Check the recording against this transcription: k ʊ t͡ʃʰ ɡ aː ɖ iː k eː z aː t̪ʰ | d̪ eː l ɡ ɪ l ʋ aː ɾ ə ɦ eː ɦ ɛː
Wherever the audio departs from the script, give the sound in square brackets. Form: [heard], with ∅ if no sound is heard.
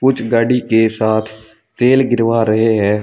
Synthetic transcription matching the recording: k ʊ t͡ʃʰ ɡ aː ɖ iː k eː [s] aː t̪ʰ | [t̪] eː l ɡ ɪ [ɾ] ʋ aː ɾ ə ɦ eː ɦ ɛː